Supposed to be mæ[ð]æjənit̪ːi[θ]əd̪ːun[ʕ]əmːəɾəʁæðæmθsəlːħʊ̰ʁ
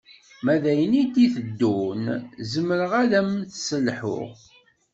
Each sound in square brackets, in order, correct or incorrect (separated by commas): correct, correct, incorrect